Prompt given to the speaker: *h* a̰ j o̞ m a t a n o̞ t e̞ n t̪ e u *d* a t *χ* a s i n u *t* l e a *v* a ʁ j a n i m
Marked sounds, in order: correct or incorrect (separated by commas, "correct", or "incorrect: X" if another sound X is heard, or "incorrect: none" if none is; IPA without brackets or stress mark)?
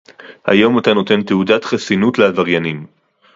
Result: correct, correct, correct, correct, correct